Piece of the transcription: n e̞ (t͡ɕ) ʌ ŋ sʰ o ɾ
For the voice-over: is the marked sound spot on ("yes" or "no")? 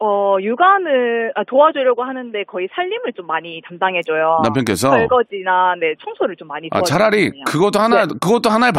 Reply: no